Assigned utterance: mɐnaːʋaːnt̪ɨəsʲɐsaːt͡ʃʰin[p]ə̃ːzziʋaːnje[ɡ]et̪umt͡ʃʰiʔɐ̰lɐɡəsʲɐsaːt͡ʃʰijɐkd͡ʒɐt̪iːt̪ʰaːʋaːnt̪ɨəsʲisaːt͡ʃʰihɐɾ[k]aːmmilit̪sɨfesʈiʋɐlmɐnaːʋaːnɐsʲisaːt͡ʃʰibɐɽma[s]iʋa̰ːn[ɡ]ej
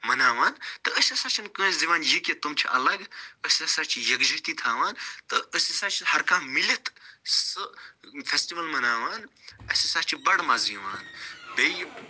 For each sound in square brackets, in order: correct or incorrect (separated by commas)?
incorrect, incorrect, correct, incorrect, incorrect